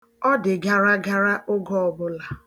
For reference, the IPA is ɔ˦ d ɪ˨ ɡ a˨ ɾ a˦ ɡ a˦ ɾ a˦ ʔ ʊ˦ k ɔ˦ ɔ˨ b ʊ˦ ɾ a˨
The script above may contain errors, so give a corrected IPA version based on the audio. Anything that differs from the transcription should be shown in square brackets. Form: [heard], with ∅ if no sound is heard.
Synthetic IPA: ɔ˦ d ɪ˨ ɡ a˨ ɾ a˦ ɡ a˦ ɾ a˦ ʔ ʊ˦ [ɡ] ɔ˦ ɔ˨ b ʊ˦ [l] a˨

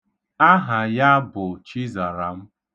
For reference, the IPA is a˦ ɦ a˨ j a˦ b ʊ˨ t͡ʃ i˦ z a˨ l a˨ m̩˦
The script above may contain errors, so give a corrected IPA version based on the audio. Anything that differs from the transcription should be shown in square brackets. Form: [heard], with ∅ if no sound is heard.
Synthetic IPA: a˦ ɦ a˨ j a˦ b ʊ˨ t͡ʃ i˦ z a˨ [ɾ] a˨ m̩˦

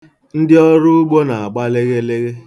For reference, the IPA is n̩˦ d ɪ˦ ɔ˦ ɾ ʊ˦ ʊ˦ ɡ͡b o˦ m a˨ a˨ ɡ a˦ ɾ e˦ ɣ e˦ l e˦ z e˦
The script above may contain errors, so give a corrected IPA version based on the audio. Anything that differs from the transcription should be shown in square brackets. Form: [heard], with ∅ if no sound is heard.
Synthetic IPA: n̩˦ d ɪ˦ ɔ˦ ɾ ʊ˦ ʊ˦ ɡ͡b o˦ [n] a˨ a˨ [ɡ͡b] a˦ [l] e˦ ɣ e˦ l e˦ [ɣ] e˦

